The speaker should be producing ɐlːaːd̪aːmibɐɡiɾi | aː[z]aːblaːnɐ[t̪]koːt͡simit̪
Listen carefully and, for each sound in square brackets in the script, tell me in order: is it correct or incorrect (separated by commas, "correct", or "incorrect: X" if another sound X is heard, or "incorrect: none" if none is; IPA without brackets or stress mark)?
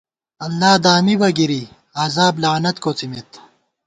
correct, correct